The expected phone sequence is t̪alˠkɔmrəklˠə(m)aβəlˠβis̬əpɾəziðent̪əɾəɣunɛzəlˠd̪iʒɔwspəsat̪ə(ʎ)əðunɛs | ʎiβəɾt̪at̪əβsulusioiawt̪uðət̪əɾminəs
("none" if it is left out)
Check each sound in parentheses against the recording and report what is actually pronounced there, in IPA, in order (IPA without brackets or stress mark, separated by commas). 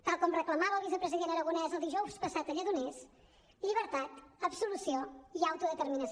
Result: m, ʎ